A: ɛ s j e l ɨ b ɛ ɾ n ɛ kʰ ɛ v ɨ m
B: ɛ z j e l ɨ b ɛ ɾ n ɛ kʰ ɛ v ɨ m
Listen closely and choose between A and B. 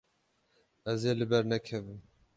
B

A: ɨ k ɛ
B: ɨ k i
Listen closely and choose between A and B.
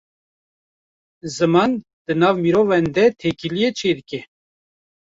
A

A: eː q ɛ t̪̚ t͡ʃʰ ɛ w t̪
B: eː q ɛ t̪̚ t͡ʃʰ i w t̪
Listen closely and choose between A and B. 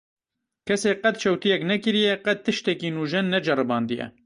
A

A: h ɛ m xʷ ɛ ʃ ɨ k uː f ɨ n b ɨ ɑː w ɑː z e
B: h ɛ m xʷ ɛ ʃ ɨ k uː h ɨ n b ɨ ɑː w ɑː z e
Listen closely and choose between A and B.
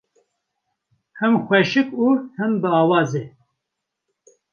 B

